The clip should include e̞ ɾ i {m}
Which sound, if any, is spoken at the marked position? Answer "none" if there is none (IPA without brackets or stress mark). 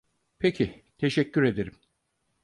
m